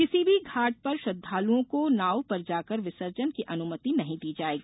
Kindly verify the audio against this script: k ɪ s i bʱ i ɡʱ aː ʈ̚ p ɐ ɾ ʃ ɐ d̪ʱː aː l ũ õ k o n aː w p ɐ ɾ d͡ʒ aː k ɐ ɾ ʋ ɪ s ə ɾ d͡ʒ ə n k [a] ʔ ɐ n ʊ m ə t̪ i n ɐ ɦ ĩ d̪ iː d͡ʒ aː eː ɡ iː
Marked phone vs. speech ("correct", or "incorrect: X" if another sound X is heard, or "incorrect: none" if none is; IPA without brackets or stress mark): incorrect: i